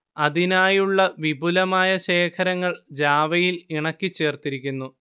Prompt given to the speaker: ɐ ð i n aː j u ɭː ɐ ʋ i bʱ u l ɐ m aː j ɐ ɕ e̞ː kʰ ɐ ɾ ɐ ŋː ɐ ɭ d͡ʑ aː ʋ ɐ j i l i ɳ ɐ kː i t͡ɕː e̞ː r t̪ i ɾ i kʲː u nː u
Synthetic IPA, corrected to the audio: ɐ ð i n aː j u ɭː ɐ ʋ i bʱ u l ɐ m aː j ɐ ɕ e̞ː kʰ ɐ ɾ ɐ ŋː ɐ ɭ d͡ʑ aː ʋ ɐ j i l i ɳ ɐ kː i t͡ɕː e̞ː r t̪ i ɾ i kʲː u nː u